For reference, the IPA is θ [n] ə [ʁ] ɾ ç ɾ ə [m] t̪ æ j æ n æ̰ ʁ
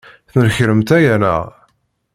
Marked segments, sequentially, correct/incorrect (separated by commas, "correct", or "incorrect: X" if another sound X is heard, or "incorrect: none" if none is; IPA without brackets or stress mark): correct, incorrect: none, correct